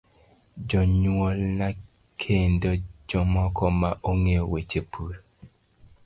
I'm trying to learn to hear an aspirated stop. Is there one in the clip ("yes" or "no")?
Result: yes